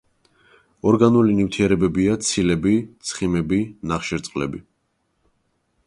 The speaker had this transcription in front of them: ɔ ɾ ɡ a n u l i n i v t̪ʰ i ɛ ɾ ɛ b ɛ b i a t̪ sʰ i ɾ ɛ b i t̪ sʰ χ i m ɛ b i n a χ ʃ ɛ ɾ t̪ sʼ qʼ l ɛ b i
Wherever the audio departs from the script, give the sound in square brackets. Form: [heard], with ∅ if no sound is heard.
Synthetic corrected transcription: ɔ ɾ ɡ a n u l i n i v t̪ʰ i ɛ ɾ ɛ b ɛ b i a t̪ sʰ i [l] ɛ b i t̪ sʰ χ i m ɛ b i n a χ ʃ ɛ ɾ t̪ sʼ qʼ l ɛ b i